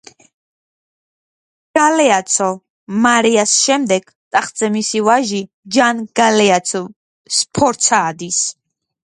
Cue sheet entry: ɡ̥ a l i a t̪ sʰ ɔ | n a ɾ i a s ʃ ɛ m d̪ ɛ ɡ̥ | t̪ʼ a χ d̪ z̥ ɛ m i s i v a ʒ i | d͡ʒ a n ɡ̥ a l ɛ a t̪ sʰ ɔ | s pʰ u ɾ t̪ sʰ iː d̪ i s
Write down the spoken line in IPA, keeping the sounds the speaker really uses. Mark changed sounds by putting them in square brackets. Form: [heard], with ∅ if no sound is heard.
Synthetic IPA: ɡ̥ a l [ɛ] a t̪ sʰ ɔ | [m] a ɾ i a s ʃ ɛ m d̪ ɛ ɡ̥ | t̪ʼ a χ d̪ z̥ ɛ m i s i v a ʒ i | d͡ʒ a n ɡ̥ a l ɛ a t̪ sʰ ɔ | s pʰ [ɔ] ɾ t̪ sʰ [aː] d̪ i s